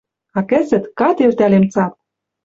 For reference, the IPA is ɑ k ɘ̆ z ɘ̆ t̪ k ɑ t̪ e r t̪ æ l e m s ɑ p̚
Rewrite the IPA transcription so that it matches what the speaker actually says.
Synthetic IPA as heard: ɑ k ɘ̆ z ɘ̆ t̪ k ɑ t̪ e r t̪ æ l e m t͡s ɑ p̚